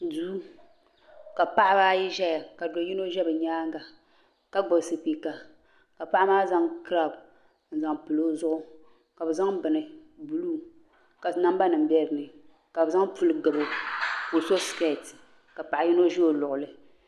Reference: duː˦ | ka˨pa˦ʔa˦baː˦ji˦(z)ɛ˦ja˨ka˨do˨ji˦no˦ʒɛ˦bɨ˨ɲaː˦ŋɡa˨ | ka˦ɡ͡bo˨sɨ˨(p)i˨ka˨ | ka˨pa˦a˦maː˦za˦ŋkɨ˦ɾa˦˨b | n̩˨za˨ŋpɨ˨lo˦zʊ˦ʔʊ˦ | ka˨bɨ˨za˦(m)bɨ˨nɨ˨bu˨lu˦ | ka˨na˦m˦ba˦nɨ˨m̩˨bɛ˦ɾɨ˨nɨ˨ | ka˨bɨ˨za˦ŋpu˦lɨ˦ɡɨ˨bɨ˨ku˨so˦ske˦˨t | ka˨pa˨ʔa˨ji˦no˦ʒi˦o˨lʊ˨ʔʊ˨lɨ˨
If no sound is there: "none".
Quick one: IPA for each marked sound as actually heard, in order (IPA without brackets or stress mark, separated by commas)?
ʒ, p, ŋ